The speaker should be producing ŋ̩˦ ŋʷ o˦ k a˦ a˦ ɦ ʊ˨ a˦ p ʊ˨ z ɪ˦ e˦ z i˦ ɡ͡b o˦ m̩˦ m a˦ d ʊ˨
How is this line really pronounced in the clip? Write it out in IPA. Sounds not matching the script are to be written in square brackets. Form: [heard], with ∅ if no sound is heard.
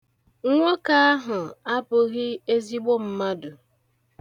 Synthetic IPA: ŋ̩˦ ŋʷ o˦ k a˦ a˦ ɦ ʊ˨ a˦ p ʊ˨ [ɣ] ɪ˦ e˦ z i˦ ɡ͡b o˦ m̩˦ m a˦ d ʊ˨